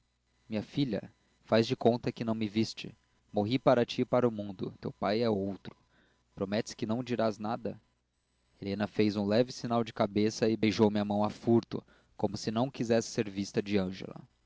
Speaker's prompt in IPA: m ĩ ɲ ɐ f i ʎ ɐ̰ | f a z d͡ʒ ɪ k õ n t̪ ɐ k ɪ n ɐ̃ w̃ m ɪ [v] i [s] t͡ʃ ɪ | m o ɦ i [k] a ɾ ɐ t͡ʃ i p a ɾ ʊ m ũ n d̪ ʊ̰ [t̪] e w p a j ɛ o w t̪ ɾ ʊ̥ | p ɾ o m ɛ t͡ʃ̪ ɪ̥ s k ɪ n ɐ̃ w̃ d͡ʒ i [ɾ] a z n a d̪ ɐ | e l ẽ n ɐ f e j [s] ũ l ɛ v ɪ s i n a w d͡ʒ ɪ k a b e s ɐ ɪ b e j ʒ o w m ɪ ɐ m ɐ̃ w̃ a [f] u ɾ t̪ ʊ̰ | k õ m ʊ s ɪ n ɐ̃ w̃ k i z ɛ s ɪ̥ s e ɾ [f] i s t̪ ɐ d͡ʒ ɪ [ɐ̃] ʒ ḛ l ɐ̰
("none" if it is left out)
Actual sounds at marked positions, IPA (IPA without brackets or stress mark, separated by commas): v, s, p, t̪, ɾ, z, f, v, ɐ̃